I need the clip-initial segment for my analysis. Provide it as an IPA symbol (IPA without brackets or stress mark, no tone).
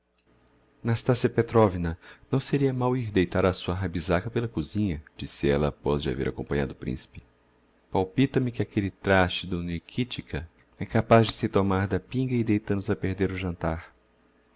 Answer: n